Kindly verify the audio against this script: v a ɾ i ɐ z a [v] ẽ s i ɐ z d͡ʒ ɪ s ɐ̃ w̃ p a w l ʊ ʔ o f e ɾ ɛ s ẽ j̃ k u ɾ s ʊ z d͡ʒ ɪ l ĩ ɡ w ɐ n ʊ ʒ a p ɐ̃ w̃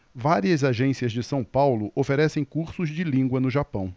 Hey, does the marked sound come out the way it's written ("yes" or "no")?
no